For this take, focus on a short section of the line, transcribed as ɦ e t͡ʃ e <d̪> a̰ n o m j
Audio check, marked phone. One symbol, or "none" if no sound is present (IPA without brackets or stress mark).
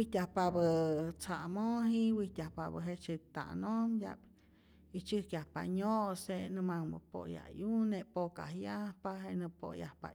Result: t̪